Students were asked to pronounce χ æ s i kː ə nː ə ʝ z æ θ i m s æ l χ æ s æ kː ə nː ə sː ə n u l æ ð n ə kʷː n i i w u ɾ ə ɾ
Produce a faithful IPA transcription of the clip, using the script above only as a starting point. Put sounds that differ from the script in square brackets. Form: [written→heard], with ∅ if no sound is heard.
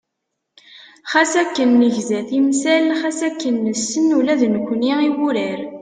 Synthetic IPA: χ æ s [i→æ] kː ə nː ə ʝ z æ θ i m s æ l χ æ s æ kː ə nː ə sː ə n u l æ ð n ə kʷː n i i w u ɾ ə ɾ